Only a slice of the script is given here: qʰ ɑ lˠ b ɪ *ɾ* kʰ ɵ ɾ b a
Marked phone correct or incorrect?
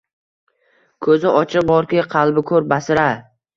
incorrect